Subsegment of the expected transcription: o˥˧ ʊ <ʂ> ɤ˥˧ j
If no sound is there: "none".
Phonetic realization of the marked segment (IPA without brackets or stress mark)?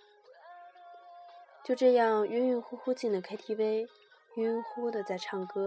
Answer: ʈ͡ʂ